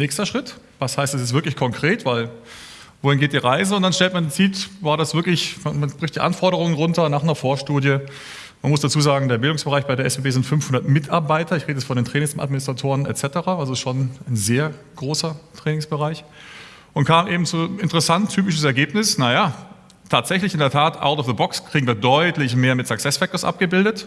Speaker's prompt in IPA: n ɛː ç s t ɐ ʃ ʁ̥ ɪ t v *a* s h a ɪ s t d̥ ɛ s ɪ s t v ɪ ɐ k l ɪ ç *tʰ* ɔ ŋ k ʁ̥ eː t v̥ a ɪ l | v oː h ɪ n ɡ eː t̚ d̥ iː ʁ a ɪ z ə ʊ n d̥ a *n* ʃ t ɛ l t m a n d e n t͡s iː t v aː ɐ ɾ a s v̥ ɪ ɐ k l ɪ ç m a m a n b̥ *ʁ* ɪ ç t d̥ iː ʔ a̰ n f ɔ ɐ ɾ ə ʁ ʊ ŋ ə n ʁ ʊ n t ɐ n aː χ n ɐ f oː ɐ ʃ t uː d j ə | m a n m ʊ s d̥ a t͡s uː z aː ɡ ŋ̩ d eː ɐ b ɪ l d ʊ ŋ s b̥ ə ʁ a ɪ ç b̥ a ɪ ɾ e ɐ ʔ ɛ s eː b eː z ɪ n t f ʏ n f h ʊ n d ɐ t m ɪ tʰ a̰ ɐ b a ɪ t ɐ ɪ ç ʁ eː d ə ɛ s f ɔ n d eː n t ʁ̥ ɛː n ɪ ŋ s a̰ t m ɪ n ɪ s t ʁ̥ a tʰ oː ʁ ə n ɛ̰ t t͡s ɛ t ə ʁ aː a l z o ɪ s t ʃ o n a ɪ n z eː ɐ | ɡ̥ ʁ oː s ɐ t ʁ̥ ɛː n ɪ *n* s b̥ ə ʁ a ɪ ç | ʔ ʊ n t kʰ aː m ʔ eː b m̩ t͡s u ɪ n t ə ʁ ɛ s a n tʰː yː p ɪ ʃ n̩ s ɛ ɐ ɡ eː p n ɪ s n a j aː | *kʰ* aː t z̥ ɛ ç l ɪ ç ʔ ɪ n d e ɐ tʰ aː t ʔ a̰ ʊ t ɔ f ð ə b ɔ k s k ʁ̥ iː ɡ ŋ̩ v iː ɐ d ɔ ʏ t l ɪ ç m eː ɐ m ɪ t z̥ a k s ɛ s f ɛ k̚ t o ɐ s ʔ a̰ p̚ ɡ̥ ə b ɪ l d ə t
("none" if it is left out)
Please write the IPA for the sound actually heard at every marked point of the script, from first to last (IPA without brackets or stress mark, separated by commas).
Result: a, kʰ, n, ʁ, ŋ, tʰ